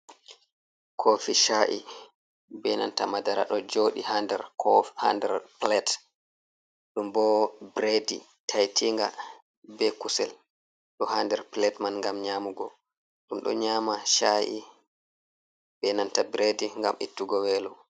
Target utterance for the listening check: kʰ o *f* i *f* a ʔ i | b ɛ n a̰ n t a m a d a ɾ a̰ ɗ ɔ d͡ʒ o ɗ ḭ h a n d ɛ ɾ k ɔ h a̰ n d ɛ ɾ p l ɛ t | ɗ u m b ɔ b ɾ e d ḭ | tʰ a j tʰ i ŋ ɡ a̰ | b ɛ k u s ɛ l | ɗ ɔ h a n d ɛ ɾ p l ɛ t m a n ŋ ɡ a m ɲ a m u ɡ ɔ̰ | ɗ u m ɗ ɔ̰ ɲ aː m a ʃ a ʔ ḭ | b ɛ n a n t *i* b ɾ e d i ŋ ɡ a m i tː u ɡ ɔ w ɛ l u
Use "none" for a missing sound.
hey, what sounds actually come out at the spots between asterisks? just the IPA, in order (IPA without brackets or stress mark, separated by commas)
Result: f, ʃ, a